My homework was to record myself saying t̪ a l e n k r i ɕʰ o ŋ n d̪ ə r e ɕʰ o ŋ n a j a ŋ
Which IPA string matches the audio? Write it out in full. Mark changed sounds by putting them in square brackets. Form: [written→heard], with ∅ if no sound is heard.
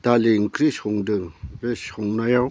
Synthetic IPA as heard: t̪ a l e [n→ŋ] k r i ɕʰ o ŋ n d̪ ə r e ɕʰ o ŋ n a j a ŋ